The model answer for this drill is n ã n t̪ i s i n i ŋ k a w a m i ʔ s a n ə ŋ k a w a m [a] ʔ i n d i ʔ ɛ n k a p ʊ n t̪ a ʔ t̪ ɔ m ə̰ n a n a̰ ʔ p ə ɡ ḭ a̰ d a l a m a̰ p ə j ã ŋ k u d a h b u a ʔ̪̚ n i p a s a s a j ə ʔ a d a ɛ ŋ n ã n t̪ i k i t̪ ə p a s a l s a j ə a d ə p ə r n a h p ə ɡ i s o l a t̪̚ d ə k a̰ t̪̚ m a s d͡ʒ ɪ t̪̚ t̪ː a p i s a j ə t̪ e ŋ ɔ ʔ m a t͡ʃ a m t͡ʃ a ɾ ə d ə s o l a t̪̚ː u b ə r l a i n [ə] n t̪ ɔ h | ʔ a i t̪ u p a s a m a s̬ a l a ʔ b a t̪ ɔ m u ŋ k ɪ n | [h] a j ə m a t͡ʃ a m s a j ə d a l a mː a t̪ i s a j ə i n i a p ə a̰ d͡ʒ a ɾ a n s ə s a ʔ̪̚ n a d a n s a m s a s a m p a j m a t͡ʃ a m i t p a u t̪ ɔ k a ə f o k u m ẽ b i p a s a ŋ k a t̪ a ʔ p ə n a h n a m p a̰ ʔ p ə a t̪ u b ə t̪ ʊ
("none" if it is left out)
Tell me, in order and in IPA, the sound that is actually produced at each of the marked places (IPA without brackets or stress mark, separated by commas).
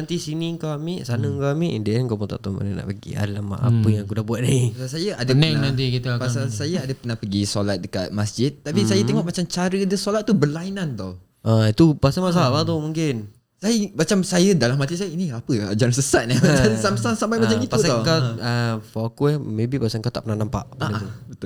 i, a, s